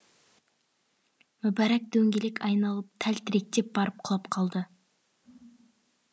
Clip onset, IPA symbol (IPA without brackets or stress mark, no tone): m